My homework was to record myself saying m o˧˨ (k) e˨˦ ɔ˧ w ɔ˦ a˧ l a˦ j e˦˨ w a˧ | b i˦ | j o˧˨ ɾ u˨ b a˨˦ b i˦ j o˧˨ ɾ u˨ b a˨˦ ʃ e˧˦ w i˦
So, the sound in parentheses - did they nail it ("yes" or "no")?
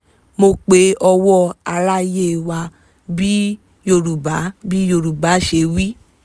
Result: no